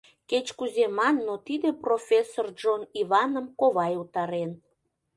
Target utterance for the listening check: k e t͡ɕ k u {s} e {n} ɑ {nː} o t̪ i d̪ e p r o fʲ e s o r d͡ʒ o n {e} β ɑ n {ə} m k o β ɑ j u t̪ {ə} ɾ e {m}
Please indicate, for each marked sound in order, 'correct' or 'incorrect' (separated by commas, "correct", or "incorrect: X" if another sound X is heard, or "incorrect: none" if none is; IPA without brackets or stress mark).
incorrect: z, incorrect: m, correct, incorrect: i, correct, incorrect: ɑ, incorrect: n